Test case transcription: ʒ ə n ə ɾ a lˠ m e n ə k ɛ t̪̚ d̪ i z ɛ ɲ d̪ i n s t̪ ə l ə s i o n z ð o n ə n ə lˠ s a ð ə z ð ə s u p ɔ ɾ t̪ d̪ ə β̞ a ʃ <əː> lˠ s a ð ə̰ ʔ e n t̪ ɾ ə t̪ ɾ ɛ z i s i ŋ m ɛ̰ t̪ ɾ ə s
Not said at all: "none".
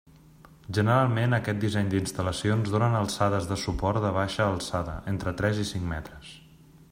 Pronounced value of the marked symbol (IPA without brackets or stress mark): əː